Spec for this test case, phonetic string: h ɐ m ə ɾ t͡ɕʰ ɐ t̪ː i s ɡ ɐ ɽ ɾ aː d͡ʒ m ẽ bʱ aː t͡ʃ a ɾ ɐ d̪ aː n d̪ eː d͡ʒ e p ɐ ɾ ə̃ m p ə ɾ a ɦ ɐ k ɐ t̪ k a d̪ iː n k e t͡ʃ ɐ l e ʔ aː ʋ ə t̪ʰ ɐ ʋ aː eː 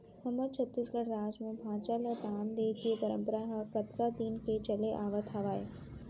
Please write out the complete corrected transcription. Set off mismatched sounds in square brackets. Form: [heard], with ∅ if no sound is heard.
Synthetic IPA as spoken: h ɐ m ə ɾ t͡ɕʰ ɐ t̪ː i s ɡ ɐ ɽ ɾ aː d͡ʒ m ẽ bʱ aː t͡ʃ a [l] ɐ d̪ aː n d̪ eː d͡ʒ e p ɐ ɾ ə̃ m p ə ɾ a ɦ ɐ k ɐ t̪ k a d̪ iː n k e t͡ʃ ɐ l e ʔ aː ʋ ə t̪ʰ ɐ ʋ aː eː